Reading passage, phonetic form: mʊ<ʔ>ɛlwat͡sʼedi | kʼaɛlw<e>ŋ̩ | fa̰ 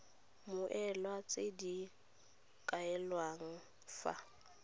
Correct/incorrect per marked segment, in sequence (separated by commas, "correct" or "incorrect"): correct, incorrect